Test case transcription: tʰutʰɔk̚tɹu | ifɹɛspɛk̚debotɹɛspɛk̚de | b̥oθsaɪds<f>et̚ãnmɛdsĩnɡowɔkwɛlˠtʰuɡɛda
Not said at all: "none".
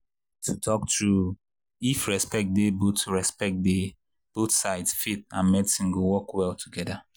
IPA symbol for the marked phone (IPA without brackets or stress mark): f